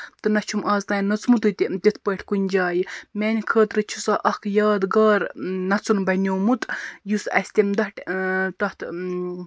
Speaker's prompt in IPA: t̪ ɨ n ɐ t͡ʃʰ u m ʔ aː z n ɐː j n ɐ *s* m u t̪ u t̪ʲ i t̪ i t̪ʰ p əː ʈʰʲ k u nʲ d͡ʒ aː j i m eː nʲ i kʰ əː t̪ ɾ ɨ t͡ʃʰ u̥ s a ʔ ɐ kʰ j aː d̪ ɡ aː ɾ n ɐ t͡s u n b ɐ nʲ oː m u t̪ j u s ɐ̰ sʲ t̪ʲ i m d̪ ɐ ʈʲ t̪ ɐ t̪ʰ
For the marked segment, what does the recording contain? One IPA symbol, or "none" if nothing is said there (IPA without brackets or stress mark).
t͡s